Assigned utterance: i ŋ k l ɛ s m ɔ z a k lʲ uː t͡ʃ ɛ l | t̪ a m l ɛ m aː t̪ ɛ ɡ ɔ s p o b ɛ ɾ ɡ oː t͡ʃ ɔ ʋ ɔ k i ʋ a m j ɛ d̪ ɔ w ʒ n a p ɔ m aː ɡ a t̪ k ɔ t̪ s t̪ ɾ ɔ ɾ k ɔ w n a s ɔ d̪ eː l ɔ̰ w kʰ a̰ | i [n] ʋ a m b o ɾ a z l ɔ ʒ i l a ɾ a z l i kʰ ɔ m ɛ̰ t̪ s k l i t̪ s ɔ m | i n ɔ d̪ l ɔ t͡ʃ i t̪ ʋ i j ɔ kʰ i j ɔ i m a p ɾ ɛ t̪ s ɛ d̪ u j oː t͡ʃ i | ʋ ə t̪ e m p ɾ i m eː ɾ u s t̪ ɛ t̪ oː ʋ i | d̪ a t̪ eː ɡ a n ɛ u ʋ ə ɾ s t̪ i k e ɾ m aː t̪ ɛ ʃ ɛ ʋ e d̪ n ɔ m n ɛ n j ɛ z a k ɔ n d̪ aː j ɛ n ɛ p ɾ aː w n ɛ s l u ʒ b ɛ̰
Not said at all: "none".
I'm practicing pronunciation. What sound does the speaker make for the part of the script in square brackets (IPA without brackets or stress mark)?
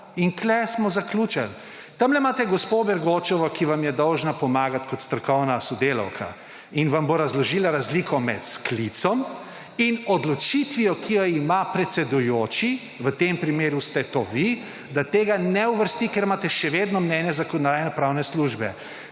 n